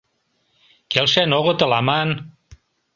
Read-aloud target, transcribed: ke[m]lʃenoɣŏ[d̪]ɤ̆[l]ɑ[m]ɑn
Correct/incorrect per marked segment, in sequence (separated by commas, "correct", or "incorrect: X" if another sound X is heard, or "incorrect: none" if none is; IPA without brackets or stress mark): incorrect: none, incorrect: t̪, correct, correct